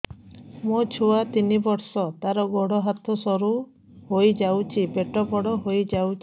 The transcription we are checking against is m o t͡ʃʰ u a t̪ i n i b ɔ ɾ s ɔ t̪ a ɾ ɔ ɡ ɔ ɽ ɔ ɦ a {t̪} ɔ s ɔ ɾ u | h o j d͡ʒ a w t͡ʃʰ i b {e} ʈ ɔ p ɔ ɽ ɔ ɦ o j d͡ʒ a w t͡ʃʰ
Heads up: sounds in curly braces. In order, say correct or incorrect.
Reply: incorrect: t̪ʰ, correct

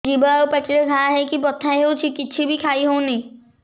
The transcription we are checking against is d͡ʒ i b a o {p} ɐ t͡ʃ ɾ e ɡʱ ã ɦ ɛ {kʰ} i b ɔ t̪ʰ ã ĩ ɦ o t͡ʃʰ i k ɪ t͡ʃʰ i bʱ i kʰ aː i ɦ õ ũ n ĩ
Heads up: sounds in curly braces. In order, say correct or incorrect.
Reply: correct, incorrect: k

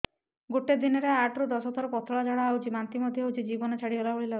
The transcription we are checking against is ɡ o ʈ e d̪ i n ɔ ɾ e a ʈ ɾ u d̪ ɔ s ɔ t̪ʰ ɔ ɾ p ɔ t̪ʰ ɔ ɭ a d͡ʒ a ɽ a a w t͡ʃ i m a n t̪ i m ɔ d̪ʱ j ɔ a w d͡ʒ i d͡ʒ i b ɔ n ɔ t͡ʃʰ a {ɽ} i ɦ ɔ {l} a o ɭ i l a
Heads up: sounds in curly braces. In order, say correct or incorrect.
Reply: correct, correct

